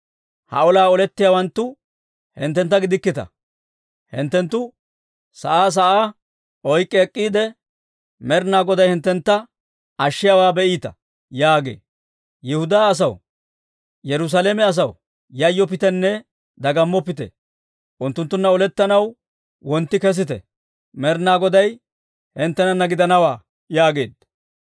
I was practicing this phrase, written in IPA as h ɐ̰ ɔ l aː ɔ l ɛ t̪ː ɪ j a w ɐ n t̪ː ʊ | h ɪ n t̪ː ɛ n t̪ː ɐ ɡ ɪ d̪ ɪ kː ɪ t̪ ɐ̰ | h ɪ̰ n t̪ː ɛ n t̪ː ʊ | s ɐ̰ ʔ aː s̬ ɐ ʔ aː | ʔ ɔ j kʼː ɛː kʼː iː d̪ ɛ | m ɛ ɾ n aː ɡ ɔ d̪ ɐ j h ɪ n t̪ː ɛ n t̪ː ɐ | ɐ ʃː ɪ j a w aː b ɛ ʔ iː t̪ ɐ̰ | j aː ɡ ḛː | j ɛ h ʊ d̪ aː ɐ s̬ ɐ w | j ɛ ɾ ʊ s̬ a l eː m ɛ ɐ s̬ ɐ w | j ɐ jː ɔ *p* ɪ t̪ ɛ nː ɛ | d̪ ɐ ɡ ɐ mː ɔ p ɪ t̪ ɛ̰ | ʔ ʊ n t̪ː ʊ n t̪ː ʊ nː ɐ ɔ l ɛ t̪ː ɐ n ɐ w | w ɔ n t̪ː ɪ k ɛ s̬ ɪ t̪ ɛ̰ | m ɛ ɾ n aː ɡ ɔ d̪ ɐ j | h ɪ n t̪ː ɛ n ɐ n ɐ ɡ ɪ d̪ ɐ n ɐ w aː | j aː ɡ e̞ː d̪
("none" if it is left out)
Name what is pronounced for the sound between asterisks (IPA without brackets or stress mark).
p